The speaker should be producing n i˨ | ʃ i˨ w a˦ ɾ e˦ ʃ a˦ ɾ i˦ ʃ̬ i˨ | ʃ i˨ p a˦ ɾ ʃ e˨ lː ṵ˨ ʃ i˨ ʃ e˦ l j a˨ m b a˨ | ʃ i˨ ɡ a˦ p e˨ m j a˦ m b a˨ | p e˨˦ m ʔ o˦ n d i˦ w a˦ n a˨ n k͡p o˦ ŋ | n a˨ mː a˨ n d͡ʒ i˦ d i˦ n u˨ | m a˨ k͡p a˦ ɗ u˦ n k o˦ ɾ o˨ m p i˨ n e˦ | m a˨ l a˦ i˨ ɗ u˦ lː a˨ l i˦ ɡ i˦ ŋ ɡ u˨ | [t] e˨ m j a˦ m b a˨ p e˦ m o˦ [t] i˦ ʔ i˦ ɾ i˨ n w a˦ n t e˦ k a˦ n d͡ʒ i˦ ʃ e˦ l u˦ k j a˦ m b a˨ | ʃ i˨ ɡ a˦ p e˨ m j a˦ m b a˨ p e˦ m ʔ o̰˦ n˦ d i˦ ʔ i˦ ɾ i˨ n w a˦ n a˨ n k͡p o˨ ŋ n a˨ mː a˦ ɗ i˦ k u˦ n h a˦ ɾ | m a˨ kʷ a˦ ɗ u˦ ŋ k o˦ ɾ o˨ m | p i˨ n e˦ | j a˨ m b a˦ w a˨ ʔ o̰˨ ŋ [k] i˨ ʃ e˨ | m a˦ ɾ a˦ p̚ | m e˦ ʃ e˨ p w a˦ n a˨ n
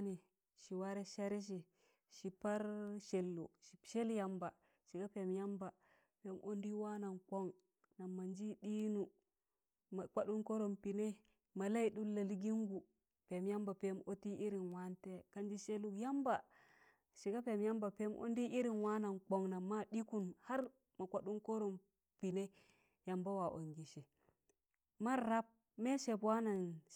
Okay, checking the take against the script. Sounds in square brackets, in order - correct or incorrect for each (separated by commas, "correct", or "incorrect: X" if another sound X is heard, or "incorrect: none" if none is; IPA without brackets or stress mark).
incorrect: p, correct, incorrect: ɡ